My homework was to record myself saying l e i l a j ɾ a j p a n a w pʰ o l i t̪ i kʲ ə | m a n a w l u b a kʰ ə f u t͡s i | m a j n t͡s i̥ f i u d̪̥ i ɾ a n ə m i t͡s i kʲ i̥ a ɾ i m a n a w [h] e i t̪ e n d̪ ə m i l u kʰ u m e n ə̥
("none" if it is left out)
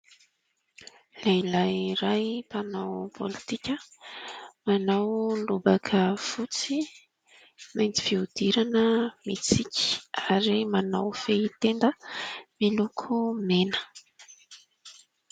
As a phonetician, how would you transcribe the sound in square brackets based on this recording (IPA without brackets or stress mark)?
f